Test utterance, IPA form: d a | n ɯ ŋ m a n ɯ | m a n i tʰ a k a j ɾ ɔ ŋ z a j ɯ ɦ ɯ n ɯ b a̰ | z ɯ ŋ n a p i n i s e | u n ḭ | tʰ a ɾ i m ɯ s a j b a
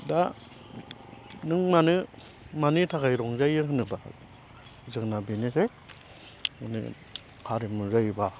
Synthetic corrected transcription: d a | n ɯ ŋ m a n ɯ | m a n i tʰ a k a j ɾ ɔ ŋ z a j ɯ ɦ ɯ n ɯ b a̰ | z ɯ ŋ n a b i n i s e | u n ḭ | kʰ a ɾ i m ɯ z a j b a